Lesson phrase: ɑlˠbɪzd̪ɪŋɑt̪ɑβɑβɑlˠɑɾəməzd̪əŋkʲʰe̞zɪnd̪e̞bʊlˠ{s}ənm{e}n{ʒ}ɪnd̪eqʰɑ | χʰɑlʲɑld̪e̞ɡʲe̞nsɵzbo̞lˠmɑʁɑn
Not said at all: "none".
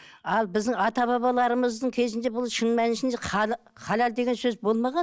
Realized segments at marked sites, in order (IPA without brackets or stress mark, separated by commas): ʃ, æ, ʃ